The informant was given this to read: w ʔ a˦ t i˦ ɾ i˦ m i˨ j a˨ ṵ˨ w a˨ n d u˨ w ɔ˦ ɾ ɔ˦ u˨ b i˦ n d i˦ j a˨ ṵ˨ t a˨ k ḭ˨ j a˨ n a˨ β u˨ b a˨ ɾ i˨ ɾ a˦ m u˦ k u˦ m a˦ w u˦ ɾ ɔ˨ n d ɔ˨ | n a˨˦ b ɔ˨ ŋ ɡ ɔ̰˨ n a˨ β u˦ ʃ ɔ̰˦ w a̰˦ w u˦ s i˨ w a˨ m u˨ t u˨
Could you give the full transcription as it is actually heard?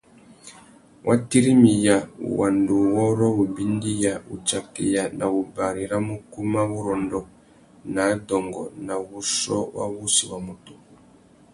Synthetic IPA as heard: w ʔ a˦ t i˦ ɾ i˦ m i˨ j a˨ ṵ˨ w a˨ n d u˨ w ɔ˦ ɾ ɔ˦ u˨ b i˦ n d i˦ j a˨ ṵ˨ t͡ʃ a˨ k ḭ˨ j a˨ n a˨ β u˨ b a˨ ɾ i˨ ɾ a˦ m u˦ k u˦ m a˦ β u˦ ɾ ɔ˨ n d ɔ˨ | n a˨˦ d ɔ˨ ŋ ɡ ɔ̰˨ n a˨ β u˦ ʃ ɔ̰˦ w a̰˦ β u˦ s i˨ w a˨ m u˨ t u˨